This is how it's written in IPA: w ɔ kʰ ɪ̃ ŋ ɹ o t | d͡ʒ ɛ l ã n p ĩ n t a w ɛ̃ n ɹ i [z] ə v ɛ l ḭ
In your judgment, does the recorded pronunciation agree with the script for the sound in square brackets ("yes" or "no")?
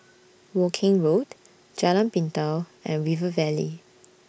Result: no